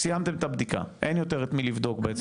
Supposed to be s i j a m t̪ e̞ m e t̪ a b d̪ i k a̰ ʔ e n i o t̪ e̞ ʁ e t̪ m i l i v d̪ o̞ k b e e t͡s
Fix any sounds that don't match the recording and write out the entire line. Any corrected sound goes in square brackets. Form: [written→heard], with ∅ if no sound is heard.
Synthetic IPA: s i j a m t̪ e̞ m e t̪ a b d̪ i k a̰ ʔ e n [i→j] o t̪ e̞ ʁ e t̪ m i l i v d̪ o̞ k b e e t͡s